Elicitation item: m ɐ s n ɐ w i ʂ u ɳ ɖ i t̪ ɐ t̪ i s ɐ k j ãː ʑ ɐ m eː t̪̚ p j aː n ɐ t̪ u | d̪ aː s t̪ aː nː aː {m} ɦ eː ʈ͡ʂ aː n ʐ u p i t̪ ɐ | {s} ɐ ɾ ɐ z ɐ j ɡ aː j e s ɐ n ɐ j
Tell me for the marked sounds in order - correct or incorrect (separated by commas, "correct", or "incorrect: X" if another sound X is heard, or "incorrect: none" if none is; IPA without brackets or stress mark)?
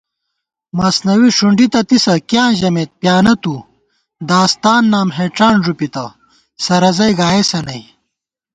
correct, correct